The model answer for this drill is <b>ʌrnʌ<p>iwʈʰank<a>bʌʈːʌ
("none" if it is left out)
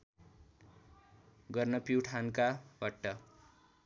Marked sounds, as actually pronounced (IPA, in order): ɡ, p, a

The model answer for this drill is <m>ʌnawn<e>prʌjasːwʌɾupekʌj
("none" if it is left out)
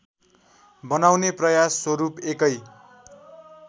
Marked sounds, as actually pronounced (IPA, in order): b, e

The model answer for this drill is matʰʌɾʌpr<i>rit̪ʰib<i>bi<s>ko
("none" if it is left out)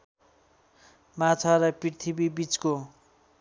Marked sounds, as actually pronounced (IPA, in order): i, i, t͡s

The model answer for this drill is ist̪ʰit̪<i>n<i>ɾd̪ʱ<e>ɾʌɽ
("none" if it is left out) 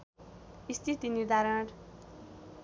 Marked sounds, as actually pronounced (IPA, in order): i, i, a

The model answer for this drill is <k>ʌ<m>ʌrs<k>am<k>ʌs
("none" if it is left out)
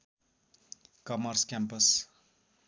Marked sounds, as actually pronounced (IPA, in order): k, m, k, p

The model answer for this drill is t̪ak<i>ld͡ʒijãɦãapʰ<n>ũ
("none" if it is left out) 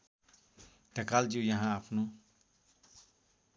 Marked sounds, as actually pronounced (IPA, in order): a, n

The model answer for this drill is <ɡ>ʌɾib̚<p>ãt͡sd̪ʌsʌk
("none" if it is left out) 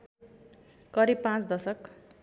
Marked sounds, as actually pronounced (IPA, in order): k, p

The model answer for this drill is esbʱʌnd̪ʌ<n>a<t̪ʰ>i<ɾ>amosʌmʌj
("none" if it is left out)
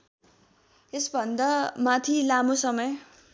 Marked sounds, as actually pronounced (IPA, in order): m, t̪ʰ, l

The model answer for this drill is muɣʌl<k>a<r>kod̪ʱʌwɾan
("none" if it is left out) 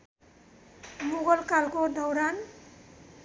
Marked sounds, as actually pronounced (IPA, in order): k, l

